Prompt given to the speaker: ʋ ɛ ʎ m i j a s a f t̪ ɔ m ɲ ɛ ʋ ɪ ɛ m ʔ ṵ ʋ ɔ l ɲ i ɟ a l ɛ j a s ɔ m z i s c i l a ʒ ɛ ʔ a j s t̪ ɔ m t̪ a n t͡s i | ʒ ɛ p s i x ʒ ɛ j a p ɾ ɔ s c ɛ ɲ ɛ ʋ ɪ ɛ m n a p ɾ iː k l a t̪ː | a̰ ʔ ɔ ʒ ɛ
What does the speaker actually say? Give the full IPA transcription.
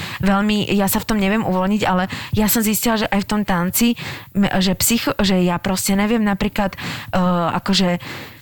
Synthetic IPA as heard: ʋ ɛ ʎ m i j a s a f t̪ ɔ m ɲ ɛ ʋ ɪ ɛ m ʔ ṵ ʋ ɔ l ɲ i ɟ a l ɛ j a s ɔ m z i s c i l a ʒ ɛ ʔ a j f t̪ ɔ m t̪ a n t͡s i | ʒ ɛ p s i x ʒ ɛ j a p ɾ ɔ s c ɛ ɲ ɛ ʋ ɪ ɛ m n a p ɾ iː k l a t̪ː | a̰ k ɔ ʒ ɛ